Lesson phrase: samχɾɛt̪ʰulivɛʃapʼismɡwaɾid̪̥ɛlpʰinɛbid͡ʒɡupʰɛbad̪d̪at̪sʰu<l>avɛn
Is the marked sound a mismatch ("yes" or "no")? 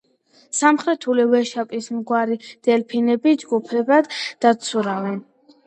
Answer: yes